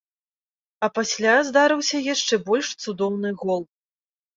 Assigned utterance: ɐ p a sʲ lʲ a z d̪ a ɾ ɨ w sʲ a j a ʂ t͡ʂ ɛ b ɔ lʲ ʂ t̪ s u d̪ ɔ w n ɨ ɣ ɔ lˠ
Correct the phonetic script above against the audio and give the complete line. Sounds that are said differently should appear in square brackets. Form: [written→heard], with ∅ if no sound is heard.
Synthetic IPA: ɐ p a sʲ lʲ a z d̪ a ɾ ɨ w sʲ [a→ɐ] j a ʂ t͡ʂ ɛ b ɔ lʲ ʂ t̪ s u d̪ ɔ w n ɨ ɣ ɔ lˠ